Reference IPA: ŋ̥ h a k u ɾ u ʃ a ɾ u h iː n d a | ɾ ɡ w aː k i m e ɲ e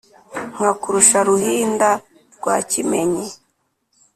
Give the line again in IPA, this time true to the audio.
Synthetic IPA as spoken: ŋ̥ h a k u ɾ u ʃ a ɾ u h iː n d a | ɾ ɡ w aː c i m e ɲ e